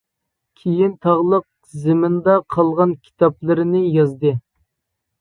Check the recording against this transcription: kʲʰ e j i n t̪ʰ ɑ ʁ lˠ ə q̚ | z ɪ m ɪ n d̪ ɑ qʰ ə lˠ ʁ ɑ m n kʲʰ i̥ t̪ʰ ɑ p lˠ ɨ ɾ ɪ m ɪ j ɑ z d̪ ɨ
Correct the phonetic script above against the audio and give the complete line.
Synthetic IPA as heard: kʲʰ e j i n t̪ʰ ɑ ʁ lˠ ə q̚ | z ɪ m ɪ n d̪ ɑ qʰ ɑ lˠ ʁ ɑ n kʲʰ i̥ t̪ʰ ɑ p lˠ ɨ ɾ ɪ n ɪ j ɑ z d̪ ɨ